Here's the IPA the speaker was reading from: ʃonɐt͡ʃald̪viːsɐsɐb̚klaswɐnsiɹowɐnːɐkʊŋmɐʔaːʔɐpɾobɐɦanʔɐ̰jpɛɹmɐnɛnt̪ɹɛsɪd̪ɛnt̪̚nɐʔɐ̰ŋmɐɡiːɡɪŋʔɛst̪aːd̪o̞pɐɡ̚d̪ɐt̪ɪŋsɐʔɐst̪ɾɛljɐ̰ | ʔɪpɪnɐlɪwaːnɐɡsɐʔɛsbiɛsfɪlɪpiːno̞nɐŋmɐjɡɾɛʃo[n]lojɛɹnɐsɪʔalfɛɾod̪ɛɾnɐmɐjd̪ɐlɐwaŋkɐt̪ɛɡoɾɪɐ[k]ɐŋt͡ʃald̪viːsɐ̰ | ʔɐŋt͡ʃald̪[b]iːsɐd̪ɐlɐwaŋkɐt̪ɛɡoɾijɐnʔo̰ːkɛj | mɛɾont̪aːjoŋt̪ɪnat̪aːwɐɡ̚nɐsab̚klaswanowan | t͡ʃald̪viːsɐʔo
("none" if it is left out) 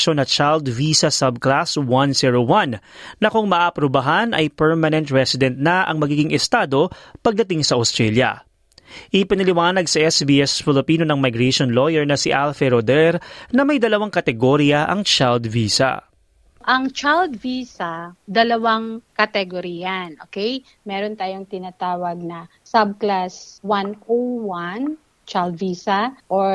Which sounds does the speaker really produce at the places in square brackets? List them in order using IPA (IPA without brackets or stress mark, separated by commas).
n, ʔ, v